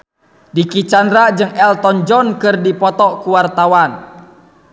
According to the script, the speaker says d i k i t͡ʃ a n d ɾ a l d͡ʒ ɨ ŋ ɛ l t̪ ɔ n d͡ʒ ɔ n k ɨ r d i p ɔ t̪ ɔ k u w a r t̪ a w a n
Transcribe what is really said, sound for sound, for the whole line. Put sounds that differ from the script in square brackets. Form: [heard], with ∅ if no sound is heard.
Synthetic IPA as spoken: d i k i t͡ʃ a n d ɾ a [∅] d͡ʒ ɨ ŋ ɛ l t̪ ɔ n d͡ʒ ɔ n k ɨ r d i p ɔ t̪ ɔ k u w a r t̪ a w a n